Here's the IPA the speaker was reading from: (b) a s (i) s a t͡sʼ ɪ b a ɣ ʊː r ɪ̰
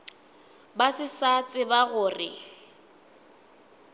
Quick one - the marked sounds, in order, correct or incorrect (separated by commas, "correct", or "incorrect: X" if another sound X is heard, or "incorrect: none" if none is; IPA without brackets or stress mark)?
correct, incorrect: ɪ